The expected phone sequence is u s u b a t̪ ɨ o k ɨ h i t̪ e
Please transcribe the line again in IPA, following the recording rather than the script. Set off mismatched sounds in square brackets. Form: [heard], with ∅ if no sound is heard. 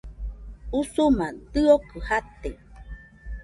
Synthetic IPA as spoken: u s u [m] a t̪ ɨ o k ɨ h [a] t̪ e